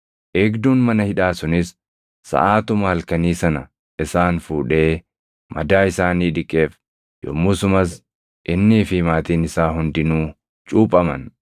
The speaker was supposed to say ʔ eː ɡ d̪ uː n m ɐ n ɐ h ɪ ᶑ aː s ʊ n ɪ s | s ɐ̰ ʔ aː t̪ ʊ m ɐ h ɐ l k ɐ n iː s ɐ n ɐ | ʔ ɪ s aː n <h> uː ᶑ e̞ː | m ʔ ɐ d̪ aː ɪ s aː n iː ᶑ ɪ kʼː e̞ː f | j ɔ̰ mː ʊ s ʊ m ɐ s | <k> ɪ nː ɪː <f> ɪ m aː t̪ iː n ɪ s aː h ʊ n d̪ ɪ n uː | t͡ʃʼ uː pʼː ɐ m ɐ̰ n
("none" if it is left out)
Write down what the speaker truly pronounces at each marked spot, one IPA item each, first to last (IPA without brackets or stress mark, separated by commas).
f, ʔ, f